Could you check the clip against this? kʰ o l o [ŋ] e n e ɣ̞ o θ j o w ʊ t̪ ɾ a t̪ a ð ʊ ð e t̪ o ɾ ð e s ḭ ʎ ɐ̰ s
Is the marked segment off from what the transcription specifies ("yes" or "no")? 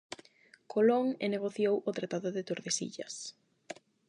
no